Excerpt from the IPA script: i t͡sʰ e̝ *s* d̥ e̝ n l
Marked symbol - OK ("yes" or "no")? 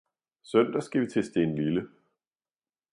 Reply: yes